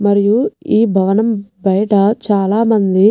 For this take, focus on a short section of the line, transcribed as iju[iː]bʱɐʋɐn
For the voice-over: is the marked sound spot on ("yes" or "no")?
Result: yes